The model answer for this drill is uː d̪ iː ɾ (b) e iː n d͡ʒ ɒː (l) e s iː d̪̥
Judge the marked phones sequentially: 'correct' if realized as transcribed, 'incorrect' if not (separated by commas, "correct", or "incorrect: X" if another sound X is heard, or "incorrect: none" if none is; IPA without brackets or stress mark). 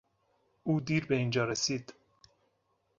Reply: correct, incorrect: ɾ